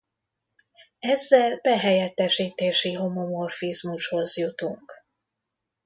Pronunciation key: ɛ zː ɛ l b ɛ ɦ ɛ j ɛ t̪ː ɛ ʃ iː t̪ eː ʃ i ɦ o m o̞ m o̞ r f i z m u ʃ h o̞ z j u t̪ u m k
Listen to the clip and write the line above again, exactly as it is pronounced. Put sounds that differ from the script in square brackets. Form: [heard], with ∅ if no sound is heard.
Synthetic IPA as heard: ɛ zː ɛ l b ɛ ɦ ɛ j ɛ t̪ː ɛ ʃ iː t̪ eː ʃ i ɦ o m o̞ m o̞ r f i z m u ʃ h o̞ z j u t̪ u [ŋ] k